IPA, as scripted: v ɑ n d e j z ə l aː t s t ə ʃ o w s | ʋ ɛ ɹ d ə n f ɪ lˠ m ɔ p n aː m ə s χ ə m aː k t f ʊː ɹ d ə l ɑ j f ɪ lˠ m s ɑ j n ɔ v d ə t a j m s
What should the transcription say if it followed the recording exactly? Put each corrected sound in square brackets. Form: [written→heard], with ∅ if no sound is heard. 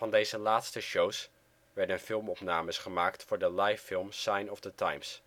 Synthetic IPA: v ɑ n d e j z ə l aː t s t ə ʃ o w s | ʋ ɛ ɹ d ə n f ɪ lˠ m ɔ p n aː m ə s χ ə m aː k t f ʊː ɹ d ə l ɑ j f ɪ lˠ m s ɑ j n ɔ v d ə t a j m s